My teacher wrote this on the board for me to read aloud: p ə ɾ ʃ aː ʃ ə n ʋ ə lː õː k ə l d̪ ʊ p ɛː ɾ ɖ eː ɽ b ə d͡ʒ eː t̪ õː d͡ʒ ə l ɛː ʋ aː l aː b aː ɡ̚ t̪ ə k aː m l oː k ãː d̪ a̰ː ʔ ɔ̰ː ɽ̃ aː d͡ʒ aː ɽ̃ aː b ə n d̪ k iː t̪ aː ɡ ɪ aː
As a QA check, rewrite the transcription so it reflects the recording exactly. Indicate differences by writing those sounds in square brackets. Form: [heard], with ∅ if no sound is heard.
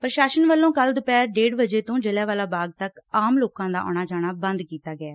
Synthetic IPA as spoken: p ə ɾ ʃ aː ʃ ə n ʋ ə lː õː k ə l d̪ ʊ p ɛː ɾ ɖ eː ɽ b ə d͡ʒ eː t̪ õː d͡ʒ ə l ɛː ʋ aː l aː b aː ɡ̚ t̪ ə k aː m l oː k ãː d̪ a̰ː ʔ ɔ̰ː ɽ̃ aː d͡ʒ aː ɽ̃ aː b ə n d̪ k iː t̪ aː ɡ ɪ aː

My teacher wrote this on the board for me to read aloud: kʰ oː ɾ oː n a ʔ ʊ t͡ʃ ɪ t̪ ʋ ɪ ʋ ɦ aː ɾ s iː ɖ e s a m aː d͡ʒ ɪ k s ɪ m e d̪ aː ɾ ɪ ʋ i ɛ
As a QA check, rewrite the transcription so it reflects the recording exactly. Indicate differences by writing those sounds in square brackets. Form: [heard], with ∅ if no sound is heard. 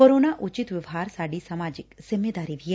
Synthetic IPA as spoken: [k] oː ɾ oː n a ʔ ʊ t͡ʃ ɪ t̪ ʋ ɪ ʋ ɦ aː ɾ s [aː] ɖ [i] s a m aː d͡ʒ ɪ k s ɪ m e d̪ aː ɾ [i] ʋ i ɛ

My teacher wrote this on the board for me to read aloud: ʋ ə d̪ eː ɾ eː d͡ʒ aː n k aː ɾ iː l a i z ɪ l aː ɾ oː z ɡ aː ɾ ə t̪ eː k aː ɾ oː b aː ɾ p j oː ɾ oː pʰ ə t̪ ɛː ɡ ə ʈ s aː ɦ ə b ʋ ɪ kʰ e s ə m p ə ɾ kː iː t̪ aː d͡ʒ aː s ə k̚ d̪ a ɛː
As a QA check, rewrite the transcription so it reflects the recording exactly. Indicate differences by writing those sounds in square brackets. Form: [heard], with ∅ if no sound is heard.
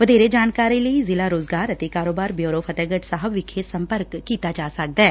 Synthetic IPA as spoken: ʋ ə d̪ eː ɾ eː d͡ʒ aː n k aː ɾ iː l [ə] i z ɪ l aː ɾ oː z ɡ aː ɾ ə t̪ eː k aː ɾ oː b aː ɾ [b] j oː ɾ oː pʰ ə t̪ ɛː ɡ ə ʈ s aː ɦ ə b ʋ ɪ kʰ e s ə m p ə ɾ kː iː t̪ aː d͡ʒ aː s ə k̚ d̪ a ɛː

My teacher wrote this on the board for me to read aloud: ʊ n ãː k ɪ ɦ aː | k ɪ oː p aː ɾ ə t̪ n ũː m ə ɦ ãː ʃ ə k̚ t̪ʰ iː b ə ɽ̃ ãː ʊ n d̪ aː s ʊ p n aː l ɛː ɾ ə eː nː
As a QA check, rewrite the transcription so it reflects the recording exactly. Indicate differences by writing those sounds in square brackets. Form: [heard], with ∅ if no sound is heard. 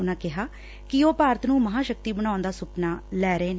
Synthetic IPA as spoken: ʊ n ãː k ɪ ɦ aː | k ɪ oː p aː ɾ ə t̪ n ũː m ə ɦ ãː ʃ ə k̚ [t̪] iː b ə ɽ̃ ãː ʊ n d̪ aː s ʊ p n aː l ɛː ɾ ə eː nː

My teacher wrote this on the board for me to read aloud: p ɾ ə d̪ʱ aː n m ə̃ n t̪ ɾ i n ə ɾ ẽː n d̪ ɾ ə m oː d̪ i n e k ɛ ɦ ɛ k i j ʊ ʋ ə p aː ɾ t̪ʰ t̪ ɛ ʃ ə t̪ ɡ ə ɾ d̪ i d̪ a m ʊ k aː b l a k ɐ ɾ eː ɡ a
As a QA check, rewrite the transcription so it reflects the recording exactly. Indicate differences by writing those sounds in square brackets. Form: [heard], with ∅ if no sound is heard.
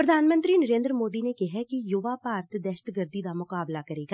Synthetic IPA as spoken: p ɾ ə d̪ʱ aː n m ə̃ n t̪ ɾ i n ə ɾ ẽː n d̪ ɾ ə m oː d̪ i n e k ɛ ɦ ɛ k i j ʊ ʋ [a] p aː ɾ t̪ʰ [d̪] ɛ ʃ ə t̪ ɡ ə ɾ d̪ i d̪ a m ʊ k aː b l a k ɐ ɾ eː ɡ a

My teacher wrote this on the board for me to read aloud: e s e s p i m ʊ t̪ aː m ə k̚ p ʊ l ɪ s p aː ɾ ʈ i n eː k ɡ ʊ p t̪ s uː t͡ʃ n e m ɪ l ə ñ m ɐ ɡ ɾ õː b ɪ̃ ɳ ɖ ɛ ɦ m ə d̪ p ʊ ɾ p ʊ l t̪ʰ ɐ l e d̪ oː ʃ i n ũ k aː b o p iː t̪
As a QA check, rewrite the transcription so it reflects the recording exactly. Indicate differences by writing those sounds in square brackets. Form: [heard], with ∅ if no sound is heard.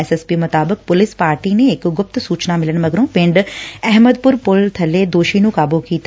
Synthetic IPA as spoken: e s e s p i m ʊ t̪ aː [b] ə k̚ p ʊ l ɪ s p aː ɾ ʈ i n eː k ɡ ʊ p t̪ s uː t͡ʃ n [a] m ɪ l ə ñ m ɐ ɡ ɾ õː [p] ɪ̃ ɳ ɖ ɛ ɦ m ə d̪ p ʊ ɾ p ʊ l t̪ʰ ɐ l e d̪ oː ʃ i n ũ k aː b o [k] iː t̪

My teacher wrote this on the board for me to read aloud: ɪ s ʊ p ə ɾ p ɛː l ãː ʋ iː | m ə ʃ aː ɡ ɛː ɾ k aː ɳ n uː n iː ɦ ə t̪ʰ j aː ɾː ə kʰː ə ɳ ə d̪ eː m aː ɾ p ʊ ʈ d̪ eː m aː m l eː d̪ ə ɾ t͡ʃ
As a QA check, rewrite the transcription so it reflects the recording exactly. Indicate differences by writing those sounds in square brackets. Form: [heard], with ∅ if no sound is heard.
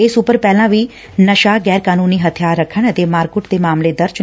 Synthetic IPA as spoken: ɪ s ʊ p ə ɾ p ɛː l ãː ʋ iː | [n] ə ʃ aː ɡ ɛː ɾ k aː [∅] n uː n iː ɦ ə t̪ʰ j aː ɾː ə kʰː ə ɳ ə [t̪] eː m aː ɾ [k] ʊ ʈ d̪ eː m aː m l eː d̪ ə ɾ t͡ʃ

